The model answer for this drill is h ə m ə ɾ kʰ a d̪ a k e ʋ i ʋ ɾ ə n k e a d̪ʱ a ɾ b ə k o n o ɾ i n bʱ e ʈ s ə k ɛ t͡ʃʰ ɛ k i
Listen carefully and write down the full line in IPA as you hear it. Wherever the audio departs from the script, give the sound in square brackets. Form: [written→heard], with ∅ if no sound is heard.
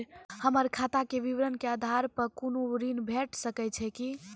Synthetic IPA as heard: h ə m ə ɾ kʰ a [d̪→t̪] a k e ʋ i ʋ ɾ ə n k e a d̪ʱ a ɾ [b→p] ə k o n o ɾ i n bʱ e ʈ s ə k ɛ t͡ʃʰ ɛ k i